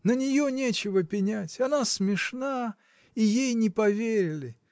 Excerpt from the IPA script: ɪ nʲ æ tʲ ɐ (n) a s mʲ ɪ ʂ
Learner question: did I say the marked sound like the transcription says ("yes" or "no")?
yes